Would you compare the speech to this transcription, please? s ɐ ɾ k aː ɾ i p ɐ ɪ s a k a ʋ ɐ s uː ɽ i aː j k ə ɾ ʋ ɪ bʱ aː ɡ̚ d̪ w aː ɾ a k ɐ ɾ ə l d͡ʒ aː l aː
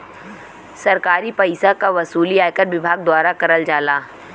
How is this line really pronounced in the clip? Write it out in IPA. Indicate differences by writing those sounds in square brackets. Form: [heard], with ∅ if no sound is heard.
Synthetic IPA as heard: s ɐ ɾ k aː ɾ i p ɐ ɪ s a k a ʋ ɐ s uː [l] i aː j k ə ɾ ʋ ɪ bʱ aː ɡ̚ d̪ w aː ɾ a k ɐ ɾ ə l d͡ʒ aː l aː